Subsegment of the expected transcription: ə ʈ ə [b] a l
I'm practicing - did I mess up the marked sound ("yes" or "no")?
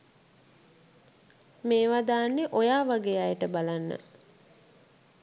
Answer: no